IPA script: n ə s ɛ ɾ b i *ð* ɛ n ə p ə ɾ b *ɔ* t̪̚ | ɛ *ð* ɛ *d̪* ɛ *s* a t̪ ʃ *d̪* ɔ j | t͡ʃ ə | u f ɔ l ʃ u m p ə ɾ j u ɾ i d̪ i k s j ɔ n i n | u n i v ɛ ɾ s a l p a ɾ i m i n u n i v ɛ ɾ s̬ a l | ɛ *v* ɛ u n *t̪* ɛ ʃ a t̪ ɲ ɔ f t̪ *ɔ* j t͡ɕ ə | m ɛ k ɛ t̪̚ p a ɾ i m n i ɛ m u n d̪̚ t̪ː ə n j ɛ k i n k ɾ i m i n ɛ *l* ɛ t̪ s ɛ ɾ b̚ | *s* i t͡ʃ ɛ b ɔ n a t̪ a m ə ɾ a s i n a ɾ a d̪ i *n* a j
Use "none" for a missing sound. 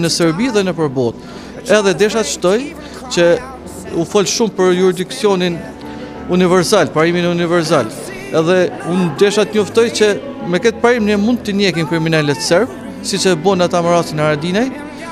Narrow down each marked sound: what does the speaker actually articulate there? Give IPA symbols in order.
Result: ð, ɔ, ð, d̪, ʃ, t̪, ð, d̪, ɔ, l, s, n

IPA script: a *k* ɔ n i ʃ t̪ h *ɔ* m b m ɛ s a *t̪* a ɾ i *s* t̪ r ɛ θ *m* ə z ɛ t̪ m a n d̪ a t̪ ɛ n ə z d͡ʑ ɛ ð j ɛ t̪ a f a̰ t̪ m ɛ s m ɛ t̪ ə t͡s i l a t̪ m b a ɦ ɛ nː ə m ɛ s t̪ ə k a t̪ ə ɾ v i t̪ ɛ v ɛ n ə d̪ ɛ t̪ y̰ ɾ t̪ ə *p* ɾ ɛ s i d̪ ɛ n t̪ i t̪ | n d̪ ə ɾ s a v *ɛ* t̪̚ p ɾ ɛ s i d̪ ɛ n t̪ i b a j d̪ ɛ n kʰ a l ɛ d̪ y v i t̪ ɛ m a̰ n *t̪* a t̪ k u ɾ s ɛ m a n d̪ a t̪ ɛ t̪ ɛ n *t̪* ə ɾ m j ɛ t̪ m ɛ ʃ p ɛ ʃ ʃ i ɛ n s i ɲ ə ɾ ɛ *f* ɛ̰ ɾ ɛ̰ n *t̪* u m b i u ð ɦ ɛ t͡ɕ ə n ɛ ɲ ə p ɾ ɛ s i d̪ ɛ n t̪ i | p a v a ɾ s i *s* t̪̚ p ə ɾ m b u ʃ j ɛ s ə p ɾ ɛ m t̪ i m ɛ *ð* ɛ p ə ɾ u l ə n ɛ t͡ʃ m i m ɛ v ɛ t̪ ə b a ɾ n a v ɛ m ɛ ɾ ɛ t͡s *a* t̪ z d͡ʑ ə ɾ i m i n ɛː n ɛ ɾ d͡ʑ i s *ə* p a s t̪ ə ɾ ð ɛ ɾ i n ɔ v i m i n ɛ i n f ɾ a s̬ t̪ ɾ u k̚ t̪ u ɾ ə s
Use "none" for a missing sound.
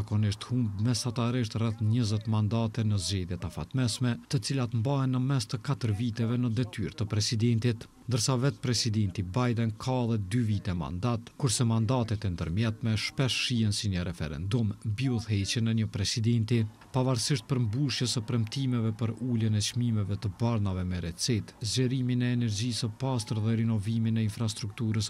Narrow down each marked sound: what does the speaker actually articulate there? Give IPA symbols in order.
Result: k, u, t̪, ʃ, ɲ, p, ɛ, d̪, d̪, f, d̪, ʃ, v, i, ə

